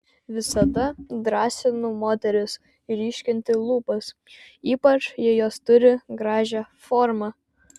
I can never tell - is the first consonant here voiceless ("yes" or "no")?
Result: no